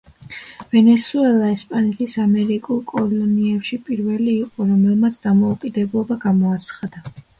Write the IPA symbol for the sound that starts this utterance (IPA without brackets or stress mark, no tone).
v